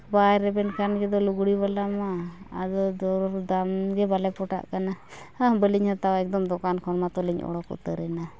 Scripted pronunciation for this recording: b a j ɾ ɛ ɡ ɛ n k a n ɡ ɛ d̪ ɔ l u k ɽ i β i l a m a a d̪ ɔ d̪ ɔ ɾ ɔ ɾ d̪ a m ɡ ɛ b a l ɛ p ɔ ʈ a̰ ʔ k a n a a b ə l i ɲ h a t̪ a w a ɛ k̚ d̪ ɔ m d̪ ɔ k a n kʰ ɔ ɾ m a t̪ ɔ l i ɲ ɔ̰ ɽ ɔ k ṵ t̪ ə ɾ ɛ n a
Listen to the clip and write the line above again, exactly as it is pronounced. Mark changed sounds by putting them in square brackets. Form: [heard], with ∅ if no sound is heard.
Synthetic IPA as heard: b a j ɾ ɛ [b] ɛ n k a n ɡ ɛ d̪ ɔ l u [ɡ] ɽ i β [a] l a m a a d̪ ɔ d̪ ɔ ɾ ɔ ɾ d̪ a m ɡ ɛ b a l ɛ p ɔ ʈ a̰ ʔ k a n a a b ə l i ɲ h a t̪ a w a ɛ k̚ d̪ ɔ m d̪ ɔ k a n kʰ ɔ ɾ m a t̪ ɔ l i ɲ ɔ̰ ɽ ɔ k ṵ t̪ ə ɾ ɛ n a